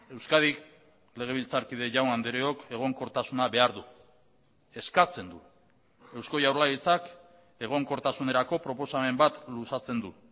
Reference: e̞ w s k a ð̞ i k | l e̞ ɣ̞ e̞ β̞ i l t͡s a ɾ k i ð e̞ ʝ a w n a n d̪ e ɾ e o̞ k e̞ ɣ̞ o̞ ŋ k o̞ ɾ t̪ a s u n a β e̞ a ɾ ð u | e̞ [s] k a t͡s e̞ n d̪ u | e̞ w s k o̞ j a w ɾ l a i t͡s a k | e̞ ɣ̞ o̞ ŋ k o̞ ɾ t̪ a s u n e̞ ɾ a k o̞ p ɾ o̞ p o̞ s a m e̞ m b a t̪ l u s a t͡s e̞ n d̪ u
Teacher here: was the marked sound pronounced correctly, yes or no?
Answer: yes